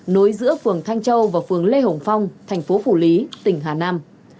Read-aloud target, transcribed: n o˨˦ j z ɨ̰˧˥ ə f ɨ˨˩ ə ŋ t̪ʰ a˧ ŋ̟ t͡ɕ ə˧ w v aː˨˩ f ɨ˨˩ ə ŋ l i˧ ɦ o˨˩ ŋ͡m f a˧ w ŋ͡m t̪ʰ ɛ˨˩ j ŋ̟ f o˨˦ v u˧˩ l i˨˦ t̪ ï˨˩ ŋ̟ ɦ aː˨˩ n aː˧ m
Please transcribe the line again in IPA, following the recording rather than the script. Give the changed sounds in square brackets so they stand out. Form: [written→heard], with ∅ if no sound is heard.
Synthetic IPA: n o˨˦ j z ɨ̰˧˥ ə f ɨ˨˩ ə ŋ t̪ʰ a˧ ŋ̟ t͡ɕ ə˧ w v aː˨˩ f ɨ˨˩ ə ŋ l [i˧→e˧] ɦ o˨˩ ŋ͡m f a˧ w ŋ͡m t̪ʰ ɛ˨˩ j ŋ̟ f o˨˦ [v→f] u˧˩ l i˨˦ t̪ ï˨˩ ŋ̟ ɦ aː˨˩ n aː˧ m

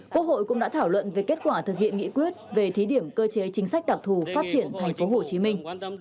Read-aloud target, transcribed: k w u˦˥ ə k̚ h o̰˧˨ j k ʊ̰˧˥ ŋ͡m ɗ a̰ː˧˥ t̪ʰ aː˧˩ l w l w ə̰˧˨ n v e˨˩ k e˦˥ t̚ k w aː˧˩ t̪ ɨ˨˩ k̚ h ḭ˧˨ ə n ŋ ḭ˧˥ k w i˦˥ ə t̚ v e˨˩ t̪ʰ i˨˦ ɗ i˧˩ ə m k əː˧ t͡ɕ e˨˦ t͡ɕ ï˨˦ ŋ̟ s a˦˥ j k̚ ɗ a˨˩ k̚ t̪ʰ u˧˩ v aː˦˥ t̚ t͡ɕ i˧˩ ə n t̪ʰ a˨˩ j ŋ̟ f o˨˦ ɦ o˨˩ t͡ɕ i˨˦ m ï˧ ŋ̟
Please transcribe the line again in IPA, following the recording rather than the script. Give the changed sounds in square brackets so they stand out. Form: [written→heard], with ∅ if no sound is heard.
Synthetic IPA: k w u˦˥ ə k̚ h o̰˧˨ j k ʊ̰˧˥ ŋ͡m ɗ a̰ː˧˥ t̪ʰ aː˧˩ [l→∅] w l w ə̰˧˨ n v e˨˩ k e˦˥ t̚ k w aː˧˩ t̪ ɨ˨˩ k̚ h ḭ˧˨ ə n ŋ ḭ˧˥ k w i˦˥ ə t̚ v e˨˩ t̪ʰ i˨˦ ɗ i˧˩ ə m k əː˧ t͡ɕ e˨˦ t͡ɕ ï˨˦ ŋ̟ s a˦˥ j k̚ ɗ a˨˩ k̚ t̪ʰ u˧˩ [v→f] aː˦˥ t̚ t͡ɕ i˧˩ ə n t̪ʰ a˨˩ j ŋ̟ f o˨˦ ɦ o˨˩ t͡ɕ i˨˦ m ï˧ ŋ̟

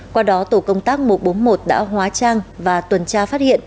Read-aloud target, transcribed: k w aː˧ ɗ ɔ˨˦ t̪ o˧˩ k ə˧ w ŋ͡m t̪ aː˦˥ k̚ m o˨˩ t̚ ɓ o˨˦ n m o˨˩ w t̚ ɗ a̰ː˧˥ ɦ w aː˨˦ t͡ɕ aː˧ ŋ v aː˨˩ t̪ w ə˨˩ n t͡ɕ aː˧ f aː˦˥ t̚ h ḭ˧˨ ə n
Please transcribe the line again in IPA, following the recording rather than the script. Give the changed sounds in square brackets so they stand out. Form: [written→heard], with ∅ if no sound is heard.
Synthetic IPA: k w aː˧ ɗ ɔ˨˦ t̪ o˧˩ k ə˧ w ŋ͡m t̪ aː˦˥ k̚ m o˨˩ t̚ ɓ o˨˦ n m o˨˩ [w→∅] t̚ ɗ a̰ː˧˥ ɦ w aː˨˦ t͡ɕ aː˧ ŋ v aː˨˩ t̪ w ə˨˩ n t͡ɕ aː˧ f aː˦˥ t̚ h ḭ˧˨ ə n

